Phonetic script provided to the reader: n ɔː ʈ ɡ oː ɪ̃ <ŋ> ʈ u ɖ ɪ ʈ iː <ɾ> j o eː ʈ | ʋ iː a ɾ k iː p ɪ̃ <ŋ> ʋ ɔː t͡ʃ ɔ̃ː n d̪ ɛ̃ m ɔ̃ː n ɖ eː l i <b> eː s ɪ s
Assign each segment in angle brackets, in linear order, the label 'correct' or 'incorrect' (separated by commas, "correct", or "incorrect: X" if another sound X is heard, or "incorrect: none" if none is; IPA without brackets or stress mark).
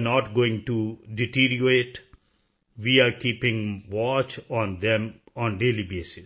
correct, correct, correct, correct